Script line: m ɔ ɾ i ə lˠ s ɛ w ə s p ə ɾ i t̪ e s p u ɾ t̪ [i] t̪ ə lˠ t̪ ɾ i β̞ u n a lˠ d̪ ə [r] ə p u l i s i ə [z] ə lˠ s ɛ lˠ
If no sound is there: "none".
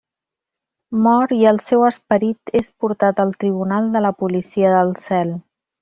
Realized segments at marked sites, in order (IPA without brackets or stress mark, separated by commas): a, l, ð